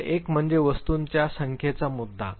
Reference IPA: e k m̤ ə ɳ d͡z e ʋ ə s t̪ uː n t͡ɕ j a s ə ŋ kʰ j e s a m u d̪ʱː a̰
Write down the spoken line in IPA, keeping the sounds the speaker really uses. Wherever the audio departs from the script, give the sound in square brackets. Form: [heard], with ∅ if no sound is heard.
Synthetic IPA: e k m̤ ə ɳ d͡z e ʋ ə s t̪ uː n t͡ɕ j a s ə ŋ kʰ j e [t͡s] a m u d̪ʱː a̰